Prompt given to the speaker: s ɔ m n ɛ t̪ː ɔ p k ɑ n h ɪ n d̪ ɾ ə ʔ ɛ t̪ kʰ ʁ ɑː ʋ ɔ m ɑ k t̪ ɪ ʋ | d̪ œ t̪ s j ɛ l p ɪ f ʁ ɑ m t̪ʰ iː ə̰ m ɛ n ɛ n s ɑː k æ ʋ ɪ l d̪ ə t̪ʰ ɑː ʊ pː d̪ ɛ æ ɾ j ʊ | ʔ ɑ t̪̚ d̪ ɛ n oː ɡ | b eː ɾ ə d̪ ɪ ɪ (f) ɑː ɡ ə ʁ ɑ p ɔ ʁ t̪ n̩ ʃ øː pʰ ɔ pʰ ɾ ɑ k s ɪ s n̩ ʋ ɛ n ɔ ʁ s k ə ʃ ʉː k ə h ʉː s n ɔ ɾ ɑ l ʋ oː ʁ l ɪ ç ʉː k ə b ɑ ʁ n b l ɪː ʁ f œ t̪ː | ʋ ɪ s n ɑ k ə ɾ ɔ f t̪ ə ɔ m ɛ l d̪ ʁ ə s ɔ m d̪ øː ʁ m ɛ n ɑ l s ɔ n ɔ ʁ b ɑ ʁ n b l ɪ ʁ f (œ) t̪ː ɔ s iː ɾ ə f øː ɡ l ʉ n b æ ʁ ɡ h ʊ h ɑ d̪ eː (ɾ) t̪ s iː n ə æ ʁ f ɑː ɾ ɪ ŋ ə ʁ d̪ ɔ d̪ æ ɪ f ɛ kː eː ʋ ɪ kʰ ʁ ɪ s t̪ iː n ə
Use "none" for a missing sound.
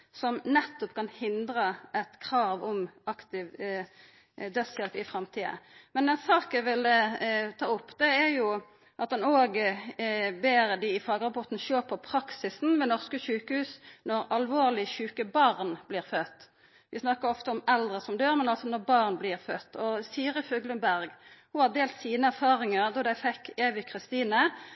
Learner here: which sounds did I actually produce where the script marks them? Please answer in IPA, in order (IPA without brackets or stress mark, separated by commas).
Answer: f, œ, l